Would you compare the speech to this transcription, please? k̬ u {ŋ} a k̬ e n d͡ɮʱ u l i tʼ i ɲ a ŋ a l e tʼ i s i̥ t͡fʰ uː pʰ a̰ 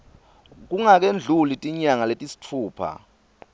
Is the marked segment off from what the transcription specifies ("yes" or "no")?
no